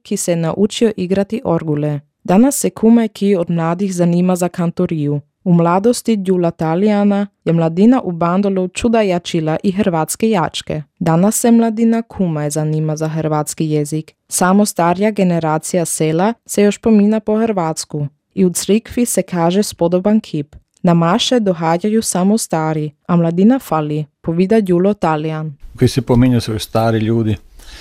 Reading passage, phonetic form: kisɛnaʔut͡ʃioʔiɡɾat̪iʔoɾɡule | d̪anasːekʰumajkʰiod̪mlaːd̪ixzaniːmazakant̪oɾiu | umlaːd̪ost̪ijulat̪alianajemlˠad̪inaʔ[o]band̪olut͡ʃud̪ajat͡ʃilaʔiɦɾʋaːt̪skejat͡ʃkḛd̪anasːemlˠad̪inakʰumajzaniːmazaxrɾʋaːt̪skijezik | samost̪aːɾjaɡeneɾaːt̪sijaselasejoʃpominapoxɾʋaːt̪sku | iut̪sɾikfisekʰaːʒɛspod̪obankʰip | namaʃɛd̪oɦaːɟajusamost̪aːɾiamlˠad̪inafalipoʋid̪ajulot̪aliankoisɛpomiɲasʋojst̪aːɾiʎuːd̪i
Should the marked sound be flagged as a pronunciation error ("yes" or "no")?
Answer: yes